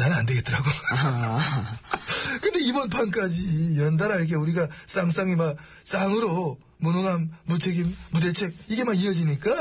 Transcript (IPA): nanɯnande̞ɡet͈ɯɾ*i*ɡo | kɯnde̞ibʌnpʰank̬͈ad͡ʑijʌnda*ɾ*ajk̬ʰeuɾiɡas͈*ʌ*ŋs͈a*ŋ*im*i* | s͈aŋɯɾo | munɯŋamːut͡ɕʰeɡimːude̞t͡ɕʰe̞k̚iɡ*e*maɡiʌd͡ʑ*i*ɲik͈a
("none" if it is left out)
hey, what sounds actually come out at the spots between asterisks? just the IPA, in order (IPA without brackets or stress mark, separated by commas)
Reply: a, ɾ, a, ŋ, a, e, i